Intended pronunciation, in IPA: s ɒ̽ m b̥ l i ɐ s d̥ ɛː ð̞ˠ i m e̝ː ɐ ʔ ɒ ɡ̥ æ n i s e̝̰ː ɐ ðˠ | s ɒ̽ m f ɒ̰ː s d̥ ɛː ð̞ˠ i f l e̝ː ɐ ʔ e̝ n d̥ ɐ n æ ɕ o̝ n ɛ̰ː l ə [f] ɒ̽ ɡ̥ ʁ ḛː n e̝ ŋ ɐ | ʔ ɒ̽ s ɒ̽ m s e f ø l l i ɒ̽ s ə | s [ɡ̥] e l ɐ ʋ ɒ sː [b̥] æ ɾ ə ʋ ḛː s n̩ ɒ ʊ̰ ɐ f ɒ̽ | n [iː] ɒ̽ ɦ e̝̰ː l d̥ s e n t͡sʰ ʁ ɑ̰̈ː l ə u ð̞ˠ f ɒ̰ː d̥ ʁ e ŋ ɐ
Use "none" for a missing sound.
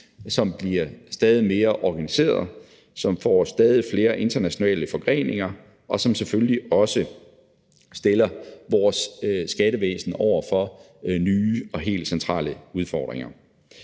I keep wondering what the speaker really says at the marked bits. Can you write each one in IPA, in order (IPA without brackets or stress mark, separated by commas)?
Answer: f, d̥, ɡ̥, yː